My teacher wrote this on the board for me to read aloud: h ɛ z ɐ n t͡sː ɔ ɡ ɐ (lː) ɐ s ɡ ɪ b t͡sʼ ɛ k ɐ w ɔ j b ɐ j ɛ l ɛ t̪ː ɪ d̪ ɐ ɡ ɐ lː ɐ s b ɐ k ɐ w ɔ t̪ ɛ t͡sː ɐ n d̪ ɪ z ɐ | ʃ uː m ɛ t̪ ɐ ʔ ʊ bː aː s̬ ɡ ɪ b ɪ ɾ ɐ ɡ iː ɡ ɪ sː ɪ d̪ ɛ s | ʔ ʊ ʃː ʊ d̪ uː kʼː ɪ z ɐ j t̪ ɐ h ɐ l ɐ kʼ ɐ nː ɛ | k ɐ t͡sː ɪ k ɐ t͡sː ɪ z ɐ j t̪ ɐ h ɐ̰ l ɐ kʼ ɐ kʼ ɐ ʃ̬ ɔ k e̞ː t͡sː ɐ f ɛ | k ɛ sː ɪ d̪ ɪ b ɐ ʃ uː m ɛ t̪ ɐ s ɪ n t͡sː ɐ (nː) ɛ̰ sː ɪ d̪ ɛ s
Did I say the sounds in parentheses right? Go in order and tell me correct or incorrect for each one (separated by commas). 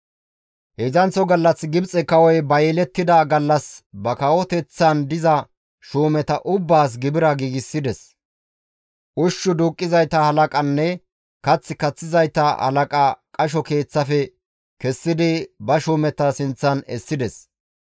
correct, incorrect